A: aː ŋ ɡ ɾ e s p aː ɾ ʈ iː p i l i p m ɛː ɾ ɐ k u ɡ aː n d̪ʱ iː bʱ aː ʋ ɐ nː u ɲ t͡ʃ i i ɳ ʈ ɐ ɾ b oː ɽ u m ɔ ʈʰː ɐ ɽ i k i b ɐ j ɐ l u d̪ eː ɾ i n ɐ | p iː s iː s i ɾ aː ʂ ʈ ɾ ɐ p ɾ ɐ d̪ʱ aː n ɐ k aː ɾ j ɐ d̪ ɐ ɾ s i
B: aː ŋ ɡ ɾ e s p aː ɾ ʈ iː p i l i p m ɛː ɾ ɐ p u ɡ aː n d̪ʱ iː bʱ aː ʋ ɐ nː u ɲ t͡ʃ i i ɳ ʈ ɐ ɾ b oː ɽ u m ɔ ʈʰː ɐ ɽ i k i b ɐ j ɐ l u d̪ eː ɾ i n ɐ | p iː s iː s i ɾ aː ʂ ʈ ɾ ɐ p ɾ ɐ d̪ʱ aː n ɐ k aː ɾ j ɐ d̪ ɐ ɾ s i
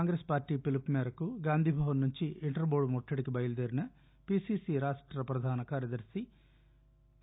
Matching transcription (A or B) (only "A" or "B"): A